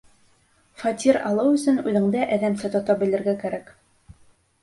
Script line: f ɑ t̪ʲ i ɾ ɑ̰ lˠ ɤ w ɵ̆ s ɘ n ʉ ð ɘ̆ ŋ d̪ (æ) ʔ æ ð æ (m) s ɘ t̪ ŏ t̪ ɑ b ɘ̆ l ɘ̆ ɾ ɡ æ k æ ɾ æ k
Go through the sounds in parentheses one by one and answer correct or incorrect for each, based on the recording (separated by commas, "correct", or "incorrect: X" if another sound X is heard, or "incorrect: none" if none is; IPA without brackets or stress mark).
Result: correct, correct